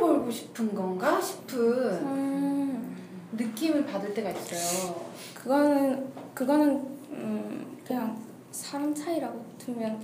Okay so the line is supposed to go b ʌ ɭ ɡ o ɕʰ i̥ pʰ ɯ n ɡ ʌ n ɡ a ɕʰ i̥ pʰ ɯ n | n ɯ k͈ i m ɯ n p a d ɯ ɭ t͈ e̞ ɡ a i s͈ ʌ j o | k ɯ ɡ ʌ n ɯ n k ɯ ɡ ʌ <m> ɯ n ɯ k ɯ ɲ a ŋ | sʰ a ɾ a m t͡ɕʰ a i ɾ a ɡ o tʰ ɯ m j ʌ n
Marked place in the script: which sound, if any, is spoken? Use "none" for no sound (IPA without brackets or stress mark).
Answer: n